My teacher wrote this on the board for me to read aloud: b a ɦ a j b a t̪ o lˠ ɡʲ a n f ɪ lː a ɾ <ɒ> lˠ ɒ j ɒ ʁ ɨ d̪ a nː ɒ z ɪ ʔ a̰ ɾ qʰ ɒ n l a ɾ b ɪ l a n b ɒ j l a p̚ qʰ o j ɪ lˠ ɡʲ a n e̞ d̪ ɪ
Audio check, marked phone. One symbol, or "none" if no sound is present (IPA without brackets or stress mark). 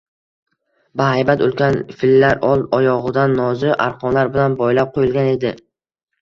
ɒ